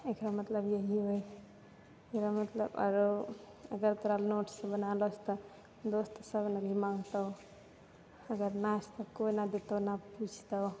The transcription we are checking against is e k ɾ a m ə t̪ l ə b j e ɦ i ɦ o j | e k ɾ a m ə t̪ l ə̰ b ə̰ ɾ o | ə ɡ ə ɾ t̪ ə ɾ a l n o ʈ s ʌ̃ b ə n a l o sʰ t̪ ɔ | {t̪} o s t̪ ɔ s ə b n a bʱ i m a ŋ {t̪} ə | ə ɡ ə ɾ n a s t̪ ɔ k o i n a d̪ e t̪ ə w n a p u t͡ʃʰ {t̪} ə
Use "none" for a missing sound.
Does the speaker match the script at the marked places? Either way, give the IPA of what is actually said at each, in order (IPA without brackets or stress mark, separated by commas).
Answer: d̪, t̪, t̪